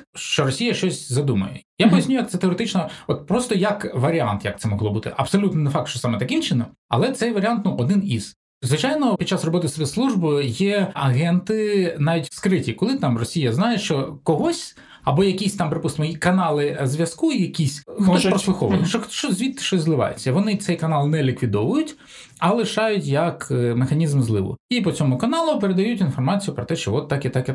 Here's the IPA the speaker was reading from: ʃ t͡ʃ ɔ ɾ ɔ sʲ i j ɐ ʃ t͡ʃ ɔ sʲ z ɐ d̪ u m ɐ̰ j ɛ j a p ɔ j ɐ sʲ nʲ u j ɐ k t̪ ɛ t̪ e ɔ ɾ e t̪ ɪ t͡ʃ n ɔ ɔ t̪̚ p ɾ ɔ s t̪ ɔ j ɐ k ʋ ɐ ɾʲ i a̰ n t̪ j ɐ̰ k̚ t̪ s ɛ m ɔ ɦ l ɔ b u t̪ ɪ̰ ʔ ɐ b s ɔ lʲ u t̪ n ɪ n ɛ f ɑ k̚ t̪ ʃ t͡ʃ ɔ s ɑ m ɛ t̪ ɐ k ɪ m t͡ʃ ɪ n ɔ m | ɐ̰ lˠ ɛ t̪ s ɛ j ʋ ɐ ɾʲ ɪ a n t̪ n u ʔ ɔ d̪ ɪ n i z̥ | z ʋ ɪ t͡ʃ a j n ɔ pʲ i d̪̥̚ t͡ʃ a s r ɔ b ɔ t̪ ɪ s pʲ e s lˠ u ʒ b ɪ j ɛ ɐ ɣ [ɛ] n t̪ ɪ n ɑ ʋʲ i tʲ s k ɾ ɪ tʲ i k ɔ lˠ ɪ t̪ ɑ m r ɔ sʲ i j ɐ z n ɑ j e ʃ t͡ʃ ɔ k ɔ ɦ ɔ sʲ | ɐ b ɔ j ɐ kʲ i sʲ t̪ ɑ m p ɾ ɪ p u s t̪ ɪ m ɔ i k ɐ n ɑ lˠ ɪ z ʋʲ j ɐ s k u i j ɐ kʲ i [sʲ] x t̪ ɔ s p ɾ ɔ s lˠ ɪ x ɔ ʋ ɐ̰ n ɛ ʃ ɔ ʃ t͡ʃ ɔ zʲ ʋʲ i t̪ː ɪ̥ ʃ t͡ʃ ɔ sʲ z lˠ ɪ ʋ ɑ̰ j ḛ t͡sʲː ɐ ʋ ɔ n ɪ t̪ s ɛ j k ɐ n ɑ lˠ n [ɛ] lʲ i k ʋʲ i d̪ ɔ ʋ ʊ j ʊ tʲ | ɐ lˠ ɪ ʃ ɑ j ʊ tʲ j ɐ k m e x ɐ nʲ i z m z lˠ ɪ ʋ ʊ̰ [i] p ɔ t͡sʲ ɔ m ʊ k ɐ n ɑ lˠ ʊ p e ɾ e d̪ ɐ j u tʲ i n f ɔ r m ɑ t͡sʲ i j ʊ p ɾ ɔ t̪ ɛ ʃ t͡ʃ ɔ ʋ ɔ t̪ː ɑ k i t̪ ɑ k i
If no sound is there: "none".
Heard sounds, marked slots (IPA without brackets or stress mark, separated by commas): ɛ, sʲ, ɛ, i